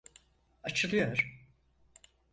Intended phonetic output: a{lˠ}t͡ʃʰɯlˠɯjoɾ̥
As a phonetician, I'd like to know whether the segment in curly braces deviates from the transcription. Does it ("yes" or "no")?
yes